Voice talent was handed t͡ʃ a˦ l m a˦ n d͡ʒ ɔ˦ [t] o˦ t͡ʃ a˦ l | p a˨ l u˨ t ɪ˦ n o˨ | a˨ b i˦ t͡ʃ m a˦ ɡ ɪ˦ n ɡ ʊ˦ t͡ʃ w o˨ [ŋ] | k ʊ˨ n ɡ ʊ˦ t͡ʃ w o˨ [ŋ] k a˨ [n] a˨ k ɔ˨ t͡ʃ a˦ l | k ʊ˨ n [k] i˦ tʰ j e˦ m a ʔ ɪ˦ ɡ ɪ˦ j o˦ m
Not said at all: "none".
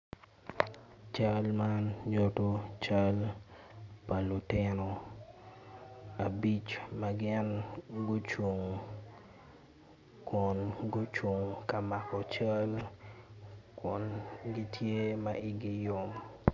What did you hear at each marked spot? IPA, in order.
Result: t, ŋ, ŋ, m, ɡ

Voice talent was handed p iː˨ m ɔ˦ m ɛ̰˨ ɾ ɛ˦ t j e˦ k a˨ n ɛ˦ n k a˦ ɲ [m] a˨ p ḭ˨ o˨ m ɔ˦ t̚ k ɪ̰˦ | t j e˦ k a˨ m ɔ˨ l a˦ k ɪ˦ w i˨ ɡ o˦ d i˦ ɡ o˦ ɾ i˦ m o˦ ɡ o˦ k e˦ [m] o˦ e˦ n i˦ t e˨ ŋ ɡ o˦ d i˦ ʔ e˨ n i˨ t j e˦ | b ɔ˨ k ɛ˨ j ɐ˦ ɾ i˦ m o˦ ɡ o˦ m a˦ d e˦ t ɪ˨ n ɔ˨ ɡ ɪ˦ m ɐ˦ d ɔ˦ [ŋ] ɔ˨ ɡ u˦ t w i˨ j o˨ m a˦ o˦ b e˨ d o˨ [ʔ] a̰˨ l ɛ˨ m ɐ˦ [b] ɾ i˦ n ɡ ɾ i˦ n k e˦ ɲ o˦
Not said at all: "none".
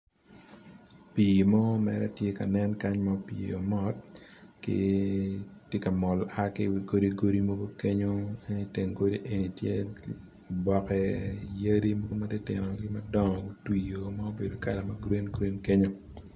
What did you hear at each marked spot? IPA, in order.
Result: m, ɲ, ŋ, k, ɡ

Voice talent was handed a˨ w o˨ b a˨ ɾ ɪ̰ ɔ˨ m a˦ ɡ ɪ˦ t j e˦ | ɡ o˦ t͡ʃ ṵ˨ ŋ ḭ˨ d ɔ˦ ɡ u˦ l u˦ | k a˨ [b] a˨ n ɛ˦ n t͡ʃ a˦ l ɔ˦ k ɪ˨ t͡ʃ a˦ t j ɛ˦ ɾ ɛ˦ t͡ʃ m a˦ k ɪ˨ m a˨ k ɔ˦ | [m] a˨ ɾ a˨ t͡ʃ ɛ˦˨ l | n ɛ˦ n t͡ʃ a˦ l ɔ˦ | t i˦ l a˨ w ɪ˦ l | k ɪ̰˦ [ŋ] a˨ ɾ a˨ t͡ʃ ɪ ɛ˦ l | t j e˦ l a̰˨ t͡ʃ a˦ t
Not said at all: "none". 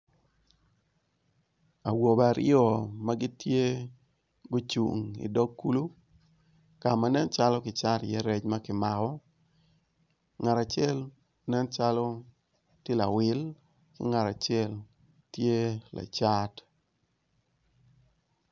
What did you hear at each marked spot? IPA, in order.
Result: m, ŋ, ŋ

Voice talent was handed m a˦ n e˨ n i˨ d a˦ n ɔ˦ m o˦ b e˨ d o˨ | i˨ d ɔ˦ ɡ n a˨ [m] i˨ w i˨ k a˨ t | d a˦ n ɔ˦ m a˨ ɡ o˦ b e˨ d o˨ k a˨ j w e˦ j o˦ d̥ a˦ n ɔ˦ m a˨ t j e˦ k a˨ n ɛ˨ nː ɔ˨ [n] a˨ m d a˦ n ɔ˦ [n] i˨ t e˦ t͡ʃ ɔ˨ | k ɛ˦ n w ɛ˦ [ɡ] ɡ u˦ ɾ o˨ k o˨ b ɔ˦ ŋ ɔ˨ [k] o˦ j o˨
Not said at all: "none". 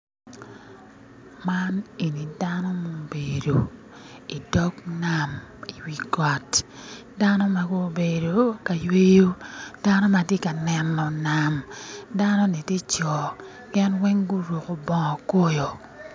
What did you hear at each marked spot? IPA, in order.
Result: m, n, n, ŋ, k

